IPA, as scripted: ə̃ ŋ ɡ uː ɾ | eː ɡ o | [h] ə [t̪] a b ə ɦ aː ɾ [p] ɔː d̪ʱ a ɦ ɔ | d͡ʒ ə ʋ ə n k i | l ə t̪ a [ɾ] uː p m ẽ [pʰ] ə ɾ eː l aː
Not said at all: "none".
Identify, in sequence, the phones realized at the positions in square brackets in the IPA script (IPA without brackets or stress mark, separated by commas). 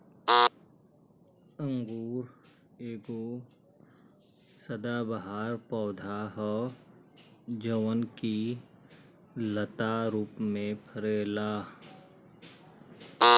s, d̪, p, ɾ, pʰ